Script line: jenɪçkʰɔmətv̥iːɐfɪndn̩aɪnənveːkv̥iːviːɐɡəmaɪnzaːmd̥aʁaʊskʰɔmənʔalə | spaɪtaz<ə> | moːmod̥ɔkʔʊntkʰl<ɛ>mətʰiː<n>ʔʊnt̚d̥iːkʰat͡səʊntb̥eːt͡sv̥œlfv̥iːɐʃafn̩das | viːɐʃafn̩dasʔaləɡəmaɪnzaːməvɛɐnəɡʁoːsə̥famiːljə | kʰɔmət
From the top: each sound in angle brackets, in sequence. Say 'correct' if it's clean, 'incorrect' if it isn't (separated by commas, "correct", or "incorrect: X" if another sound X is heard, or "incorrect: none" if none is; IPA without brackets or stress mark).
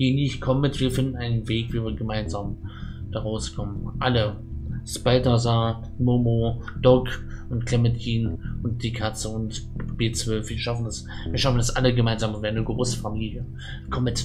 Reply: incorrect: a, correct, correct